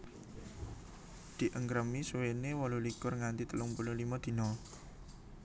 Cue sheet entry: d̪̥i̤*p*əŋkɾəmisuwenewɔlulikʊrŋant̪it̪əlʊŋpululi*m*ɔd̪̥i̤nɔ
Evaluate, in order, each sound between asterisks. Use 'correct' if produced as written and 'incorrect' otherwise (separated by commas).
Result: incorrect, correct